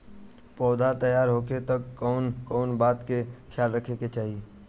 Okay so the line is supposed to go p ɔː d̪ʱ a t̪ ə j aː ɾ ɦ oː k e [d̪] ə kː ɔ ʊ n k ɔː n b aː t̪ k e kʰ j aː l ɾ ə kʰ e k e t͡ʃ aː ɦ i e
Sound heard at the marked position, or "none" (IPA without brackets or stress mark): t̪